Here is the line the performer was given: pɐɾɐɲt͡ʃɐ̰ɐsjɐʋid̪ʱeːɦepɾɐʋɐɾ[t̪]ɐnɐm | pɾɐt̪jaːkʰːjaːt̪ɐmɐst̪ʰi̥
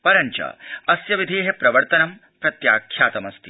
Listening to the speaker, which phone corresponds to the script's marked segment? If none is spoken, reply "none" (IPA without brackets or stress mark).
t̪